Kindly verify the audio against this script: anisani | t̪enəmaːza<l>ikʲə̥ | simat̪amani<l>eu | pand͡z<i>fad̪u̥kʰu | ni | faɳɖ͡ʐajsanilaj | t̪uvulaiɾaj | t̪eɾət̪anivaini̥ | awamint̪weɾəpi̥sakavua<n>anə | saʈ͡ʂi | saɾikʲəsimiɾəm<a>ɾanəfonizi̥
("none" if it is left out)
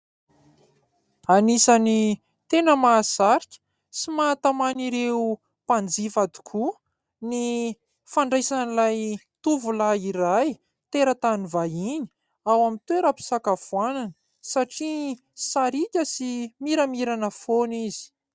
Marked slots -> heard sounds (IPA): ɾ, ɾ, i, n, i

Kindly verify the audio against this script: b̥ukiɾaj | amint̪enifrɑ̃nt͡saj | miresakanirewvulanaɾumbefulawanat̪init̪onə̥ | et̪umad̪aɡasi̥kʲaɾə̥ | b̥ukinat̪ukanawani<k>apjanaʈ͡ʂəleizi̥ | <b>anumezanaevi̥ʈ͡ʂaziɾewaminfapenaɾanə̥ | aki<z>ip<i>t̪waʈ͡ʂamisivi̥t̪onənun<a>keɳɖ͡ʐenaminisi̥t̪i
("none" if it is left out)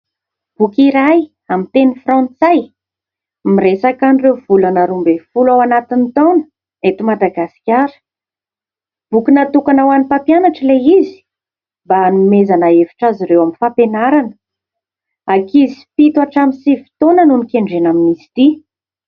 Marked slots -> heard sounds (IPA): p, b, z, i, i

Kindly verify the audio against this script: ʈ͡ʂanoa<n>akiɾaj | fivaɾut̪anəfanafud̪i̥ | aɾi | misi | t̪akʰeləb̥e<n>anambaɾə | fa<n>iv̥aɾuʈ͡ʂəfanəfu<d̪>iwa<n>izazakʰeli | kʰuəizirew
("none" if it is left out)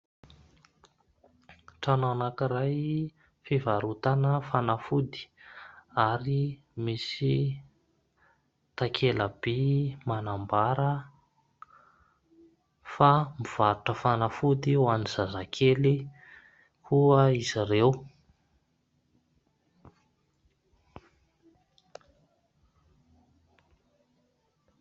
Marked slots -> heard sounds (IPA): n, m, m, d̪, n

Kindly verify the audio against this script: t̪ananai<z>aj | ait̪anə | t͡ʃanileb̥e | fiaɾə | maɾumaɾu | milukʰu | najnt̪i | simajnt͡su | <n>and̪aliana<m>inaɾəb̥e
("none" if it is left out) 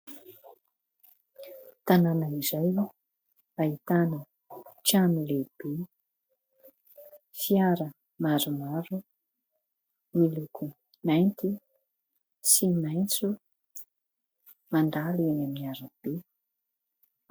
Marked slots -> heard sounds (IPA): z, m, m

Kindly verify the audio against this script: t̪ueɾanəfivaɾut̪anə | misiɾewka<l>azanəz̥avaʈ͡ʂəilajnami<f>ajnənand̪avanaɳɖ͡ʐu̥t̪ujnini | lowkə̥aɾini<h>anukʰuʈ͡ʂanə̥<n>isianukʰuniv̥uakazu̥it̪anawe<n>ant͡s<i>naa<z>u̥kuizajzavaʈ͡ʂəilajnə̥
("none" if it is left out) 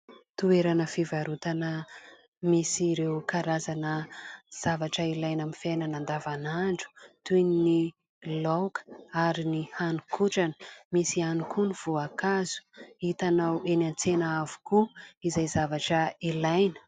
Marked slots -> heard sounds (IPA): ɾ, f, h, m, n, e, v

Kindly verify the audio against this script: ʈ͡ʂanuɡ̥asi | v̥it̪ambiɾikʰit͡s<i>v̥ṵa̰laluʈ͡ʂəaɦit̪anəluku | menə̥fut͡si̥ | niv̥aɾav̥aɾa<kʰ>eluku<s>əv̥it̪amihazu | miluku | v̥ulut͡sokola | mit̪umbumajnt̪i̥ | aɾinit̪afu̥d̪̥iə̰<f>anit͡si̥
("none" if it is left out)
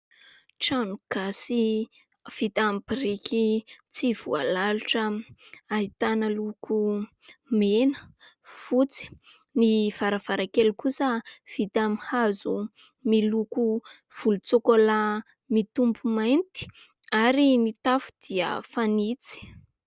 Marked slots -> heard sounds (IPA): i, k, s, f

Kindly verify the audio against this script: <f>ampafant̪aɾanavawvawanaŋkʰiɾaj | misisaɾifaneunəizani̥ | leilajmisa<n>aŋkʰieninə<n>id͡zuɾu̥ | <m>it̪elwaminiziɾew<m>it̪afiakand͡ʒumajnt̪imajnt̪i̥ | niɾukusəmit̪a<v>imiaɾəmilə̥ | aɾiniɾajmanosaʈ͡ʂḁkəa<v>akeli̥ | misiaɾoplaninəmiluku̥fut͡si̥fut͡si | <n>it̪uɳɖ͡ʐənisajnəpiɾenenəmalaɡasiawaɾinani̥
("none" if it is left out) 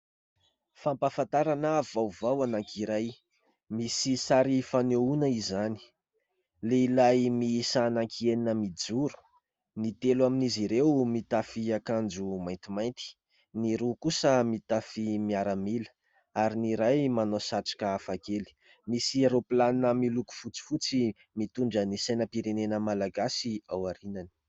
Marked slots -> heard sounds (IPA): f, n, m, n, m, f, f, m

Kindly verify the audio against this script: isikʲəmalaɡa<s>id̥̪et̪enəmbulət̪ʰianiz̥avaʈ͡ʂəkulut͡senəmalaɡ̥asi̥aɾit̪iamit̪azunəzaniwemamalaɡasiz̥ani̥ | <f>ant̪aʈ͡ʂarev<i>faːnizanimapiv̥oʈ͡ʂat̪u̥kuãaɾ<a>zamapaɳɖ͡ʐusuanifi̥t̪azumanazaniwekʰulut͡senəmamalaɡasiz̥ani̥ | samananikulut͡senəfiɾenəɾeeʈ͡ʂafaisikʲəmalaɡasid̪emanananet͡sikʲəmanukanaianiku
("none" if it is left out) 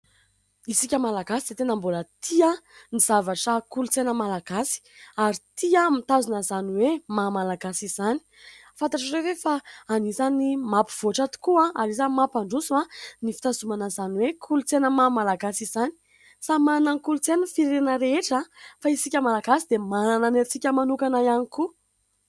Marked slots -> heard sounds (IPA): s, f, e, i

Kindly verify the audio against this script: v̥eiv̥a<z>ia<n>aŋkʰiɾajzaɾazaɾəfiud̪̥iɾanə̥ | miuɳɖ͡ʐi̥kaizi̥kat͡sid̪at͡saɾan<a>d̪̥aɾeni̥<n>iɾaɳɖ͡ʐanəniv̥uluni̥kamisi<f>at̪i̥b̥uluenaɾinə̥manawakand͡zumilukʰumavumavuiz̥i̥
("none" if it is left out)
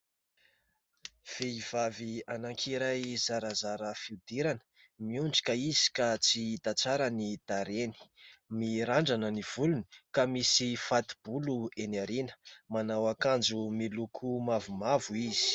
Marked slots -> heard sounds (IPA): v, n, i, m, f

